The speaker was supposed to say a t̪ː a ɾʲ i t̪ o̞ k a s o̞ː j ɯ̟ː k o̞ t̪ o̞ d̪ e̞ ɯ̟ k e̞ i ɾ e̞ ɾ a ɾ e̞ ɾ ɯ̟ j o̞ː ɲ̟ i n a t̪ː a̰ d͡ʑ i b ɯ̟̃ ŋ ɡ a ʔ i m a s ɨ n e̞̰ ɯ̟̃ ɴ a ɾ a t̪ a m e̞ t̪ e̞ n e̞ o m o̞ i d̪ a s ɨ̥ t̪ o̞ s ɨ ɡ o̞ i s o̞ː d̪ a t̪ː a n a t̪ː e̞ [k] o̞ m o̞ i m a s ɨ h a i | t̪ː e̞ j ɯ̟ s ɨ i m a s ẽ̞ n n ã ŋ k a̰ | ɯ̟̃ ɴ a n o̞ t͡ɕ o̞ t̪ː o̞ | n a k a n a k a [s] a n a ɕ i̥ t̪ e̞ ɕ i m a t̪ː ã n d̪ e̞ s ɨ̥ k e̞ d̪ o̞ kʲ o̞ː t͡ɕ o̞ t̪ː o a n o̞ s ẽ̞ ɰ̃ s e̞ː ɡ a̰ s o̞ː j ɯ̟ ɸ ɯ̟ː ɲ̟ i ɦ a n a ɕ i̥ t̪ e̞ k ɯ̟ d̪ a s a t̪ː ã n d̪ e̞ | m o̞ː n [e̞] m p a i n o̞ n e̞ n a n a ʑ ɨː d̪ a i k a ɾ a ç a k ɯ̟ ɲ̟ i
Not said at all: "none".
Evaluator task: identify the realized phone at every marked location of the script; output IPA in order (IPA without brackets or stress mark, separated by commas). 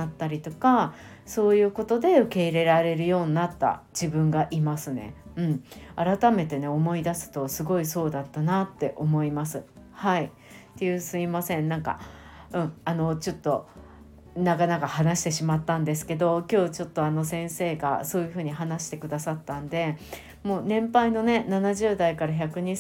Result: ʔ, h, ẽ̞